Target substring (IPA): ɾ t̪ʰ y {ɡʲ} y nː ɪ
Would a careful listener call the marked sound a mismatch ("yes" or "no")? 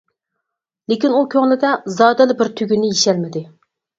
no